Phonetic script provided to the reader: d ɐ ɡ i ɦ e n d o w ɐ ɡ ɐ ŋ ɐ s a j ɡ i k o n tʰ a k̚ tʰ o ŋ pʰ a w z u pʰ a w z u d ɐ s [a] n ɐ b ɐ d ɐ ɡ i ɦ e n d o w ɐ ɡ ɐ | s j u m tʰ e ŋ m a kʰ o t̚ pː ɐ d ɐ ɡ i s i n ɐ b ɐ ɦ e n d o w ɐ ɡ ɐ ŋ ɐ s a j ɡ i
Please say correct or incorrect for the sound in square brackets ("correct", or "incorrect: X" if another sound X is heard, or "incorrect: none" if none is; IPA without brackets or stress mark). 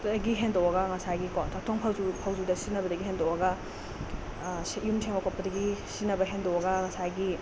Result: incorrect: i